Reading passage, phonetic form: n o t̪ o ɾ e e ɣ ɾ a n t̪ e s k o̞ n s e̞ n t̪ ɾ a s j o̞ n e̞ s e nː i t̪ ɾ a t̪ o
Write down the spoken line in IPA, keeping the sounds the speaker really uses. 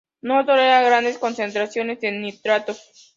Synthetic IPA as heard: n o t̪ o ɾ e a ɣ ɾ a n d̪ e s k o̞ n s e̞ n t̪ ɾ a s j o̞ n e̞ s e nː i t̪ ɾ a t̪ o

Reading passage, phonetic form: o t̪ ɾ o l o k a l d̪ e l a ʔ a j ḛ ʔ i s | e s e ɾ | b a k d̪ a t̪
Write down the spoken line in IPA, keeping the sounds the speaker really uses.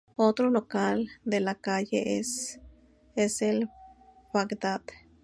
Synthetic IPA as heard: o t̪ ɾ o l o k a l d̪ e l a k a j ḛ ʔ e s | e s e l | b a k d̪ a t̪

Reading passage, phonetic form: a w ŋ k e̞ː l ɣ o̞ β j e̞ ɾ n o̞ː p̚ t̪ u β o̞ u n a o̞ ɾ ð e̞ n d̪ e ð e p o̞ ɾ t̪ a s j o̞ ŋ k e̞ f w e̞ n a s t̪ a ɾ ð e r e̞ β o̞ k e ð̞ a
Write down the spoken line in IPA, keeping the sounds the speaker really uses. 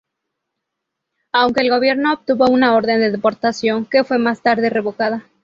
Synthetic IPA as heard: a w ŋ k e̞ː l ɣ o̞ β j e̞ ɾ n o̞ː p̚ t̪ u β o̞ u n a o̞ ɾ ð e̞ n d̪ e ð e p o̞ ɾ t̪ a s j o̞ ŋ k e̞ f w e̞ m a s t̪ a ɾ ð e r e̞ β o̞ k a ð̞ a

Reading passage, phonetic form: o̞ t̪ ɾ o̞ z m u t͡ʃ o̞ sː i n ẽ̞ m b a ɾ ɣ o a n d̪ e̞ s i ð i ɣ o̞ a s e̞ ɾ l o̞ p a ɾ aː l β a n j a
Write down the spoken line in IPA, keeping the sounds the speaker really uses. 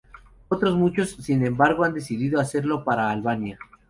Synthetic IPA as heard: o̞ t̪ ɾ o̞ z m u t͡ʃ o̞ sː i n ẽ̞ m b a ɾ ɣ o a n d̪ e̞ s i ð i ð o̞ a s e̞ ɾ l o̞ p a ɾ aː l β a n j a

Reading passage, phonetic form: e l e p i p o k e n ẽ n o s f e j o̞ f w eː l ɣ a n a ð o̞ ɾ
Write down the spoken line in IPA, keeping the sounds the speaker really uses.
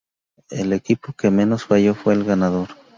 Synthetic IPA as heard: e l e k i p o k e m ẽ n o s f a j o̞ f w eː l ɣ a n a ð o̞ ɾ

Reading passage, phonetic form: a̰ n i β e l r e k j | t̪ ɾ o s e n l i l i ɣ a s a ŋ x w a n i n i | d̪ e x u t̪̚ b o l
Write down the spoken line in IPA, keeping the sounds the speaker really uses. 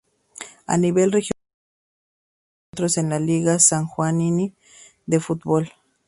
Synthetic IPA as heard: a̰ n i β e l r e x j | t̪ ɾ o s e n l a l i ɣ a s a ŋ x w a n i n i | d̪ e f u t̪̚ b o l

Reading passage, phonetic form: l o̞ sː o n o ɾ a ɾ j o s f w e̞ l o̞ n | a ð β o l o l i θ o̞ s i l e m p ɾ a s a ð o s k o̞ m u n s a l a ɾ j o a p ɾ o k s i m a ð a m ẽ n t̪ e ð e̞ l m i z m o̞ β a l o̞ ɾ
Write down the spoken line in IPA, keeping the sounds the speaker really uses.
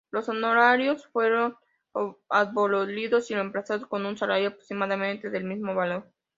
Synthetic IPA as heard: l o̞ s o n o ɾ a ɾ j o s f w e̞ ɾ o̞ n | a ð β o l o l i ð o̞ s i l e m p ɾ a s a ð o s k o̞ n u n s a l a ɾ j o a p ɾ o k s i m a ð a m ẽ n t̪ e ð e̞ l m i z m o̞ β a l o̞ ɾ

